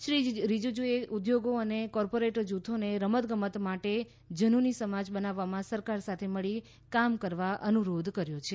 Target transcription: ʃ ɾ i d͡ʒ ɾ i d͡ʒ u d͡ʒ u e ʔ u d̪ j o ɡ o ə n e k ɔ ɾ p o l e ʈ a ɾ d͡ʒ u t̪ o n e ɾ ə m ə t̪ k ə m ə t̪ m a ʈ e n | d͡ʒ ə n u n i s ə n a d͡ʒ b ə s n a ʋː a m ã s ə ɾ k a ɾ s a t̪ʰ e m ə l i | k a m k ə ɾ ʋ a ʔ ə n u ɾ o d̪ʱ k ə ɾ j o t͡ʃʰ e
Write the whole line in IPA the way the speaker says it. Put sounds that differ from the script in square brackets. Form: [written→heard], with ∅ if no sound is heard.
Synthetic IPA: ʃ ɾ i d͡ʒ ɾ i d͡ʒ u d͡ʒ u e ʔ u d̪ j o ɡ o ə n e k ɔ ɾ p o [l→ɾ] e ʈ [a→ə] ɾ d͡ʒ u [t̪→t̪ʰ] o n e ɾ ə m ə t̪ [k→ɡ] ə m ə t̪ m a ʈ e [n→∅] | d͡ʒ ə n u n i s ə [n→m] a d͡ʒ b ə [s→∅] n a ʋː a m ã s ə ɾ k a ɾ s a t̪ʰ e m ə [l→ɭ] i | k a m k ə ɾ ʋ a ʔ ə n u ɾ o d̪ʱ k ə ɾ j o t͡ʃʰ e